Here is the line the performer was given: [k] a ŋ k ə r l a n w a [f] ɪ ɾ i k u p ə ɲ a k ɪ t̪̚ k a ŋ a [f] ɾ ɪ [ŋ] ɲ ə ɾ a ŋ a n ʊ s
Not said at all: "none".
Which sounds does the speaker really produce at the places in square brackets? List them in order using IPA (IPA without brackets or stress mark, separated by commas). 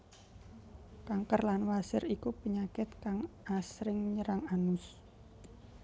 k, s, s, ŋ